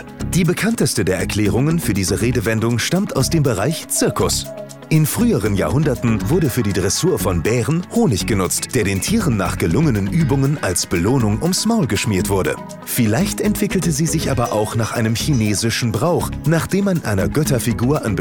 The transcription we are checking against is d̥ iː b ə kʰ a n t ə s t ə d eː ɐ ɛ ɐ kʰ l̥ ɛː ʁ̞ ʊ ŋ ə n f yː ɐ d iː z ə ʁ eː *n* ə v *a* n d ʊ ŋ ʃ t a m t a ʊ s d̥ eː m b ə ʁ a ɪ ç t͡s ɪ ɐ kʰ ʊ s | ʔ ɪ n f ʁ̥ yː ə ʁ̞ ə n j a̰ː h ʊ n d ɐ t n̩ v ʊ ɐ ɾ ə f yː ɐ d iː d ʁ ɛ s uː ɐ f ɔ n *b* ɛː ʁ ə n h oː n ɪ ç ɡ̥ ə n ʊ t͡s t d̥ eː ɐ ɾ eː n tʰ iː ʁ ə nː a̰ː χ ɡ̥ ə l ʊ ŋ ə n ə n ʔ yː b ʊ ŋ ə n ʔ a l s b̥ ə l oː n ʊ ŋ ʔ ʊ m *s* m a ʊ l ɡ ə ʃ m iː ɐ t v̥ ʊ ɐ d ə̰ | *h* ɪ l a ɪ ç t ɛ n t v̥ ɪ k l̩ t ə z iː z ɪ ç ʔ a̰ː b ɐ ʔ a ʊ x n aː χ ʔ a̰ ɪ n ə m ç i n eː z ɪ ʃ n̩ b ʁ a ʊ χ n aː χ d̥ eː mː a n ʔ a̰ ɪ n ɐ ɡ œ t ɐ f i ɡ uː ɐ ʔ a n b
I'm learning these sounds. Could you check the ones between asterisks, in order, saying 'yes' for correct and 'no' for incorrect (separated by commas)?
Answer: no, no, yes, yes, no